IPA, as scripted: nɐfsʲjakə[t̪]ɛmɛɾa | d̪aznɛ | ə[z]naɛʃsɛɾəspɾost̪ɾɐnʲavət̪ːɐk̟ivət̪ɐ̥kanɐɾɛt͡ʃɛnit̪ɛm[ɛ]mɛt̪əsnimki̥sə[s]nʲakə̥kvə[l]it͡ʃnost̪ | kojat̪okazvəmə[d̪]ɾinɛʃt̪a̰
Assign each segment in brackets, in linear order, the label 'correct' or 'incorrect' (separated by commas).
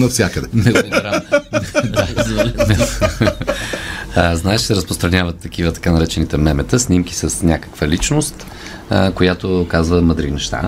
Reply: incorrect, correct, correct, correct, correct, correct